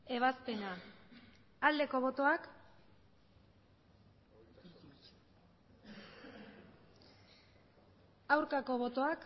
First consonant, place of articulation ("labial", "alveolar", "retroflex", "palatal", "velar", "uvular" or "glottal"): labial